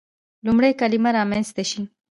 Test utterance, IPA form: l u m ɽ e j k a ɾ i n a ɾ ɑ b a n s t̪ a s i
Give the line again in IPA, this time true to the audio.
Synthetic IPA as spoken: l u m ɽ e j k a l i m a ɾ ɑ m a n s t̪ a ʃ i